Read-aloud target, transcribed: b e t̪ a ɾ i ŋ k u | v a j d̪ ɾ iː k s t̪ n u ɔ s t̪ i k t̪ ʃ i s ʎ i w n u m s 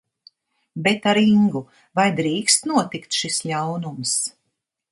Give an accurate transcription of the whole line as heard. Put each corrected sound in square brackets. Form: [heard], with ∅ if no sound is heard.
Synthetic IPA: b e t̪ a ɾ i ŋ [ɡ] u | v a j d̪ ɾ iː k s t̪ n u ɔ [∅] t̪ i k t̪ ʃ i s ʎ [a] w n u m s